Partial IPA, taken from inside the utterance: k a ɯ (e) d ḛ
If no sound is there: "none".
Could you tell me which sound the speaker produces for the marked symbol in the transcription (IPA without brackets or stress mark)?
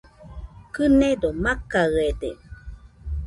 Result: e